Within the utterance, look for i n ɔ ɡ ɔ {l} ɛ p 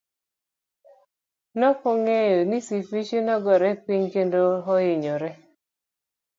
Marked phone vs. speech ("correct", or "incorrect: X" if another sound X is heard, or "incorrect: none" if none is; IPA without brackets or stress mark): incorrect: ɾ